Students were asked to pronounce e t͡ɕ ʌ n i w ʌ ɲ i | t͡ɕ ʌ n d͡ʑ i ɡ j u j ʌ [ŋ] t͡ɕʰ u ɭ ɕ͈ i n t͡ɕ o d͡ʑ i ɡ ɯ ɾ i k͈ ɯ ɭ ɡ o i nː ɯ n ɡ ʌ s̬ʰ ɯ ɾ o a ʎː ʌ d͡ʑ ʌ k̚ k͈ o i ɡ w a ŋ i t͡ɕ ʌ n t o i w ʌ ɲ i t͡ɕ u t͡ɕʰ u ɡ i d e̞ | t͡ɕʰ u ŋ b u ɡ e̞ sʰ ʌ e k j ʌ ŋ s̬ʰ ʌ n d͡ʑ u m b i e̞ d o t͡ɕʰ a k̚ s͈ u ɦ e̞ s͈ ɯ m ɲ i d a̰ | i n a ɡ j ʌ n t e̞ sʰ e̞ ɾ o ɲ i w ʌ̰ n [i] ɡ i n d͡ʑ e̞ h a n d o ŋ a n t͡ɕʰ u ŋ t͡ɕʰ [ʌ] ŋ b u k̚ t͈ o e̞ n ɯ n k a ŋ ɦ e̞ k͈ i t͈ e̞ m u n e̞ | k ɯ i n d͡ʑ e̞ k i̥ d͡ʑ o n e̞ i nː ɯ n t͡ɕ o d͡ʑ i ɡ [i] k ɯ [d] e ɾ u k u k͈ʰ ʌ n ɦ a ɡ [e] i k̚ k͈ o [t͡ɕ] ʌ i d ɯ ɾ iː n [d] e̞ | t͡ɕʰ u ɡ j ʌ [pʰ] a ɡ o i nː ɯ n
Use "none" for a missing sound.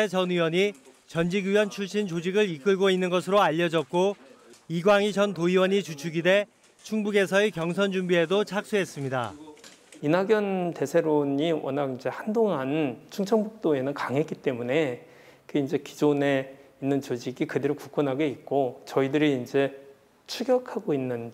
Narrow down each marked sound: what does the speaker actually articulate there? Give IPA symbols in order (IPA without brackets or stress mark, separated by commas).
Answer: n, a, ʌ, i, d, e, t͡ɕ, d͡ʑ, kʰ